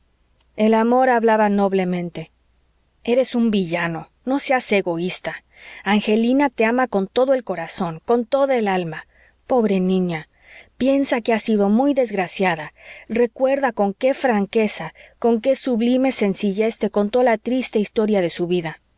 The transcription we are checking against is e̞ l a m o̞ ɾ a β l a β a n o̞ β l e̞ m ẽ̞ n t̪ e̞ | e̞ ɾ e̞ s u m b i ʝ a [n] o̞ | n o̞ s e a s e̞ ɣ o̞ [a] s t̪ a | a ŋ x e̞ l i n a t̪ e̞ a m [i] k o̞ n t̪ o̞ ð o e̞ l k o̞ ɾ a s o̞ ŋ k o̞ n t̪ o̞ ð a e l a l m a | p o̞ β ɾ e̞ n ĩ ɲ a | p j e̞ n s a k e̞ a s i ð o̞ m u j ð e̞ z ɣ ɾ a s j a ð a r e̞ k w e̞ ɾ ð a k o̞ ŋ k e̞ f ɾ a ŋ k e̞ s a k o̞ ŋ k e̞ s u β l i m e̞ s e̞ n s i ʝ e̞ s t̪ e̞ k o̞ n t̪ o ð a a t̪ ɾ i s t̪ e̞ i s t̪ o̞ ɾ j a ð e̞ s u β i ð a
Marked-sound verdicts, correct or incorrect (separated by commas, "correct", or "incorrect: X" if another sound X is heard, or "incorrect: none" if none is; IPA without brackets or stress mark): correct, incorrect: i, incorrect: a